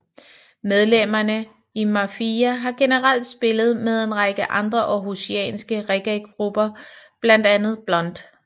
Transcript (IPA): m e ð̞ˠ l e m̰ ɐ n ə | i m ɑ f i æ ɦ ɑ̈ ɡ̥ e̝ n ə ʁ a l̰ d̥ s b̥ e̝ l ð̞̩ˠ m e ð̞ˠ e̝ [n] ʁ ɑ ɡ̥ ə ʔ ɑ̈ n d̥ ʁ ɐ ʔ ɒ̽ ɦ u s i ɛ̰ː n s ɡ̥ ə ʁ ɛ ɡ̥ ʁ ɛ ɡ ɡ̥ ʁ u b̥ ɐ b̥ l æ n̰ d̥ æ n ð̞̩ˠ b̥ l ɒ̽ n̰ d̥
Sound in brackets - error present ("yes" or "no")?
no